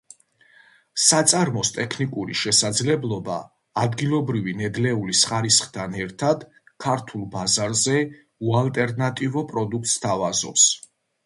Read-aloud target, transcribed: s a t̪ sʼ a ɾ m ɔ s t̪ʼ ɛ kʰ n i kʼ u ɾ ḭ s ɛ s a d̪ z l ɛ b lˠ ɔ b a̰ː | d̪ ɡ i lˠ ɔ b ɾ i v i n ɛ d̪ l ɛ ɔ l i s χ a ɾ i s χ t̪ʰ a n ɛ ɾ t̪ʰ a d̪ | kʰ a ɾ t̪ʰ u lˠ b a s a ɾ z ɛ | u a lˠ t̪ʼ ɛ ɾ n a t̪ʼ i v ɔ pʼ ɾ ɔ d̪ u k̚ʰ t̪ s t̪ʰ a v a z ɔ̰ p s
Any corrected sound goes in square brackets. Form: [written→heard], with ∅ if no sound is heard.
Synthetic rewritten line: s a t̪ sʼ a ɾ m ɔ s t̪ʼ ɛ kʰ n i kʼ u ɾ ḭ [s→ʃ] ɛ s a d̪ z l ɛ b lˠ ɔ b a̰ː | d̪ ɡ i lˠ ɔ b ɾ i v i n ɛ d̪ l ɛ [ɔ→u] l i s χ a ɾ i s χ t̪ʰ a n ɛ ɾ t̪ʰ a d̪ | kʰ a ɾ t̪ʰ u lˠ b a [s→z] a ɾ z ɛ | u a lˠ t̪ʼ ɛ ɾ n a t̪ʼ i v ɔ pʼ ɾ ɔ d̪ u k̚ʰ t̪ s t̪ʰ a v a z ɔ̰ p s